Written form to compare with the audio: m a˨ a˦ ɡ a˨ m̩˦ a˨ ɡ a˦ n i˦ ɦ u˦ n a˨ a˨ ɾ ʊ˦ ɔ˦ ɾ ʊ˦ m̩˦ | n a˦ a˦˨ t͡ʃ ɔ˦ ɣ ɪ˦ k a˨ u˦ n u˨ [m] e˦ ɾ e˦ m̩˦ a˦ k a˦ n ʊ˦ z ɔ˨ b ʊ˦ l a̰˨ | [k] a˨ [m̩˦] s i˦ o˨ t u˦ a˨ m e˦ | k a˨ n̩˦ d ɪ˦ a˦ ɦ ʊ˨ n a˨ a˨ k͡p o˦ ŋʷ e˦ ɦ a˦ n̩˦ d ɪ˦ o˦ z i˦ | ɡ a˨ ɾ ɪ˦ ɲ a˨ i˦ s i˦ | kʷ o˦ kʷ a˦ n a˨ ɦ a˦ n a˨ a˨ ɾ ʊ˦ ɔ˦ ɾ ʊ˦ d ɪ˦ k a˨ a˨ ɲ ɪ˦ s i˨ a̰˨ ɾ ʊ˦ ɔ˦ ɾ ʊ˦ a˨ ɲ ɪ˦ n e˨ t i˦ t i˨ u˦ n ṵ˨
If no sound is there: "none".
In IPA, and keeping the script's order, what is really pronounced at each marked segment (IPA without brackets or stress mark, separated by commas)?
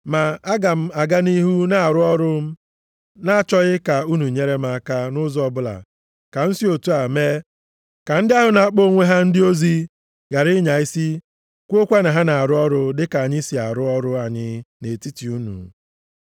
ɲ, k, n̩˦